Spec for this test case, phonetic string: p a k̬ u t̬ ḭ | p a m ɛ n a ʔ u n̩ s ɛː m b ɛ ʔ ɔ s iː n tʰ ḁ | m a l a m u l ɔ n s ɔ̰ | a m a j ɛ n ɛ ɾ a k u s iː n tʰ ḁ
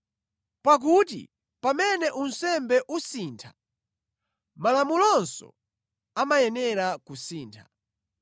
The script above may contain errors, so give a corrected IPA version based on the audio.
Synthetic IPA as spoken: p a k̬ u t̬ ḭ | p a m ɛ n ɛ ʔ u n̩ s ɛ m b ɛ ʔ u s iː n tʰ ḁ | m a l a m u l ɔ n s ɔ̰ | a m a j ɛ n ɛ ɾ a k u s iː n tʰ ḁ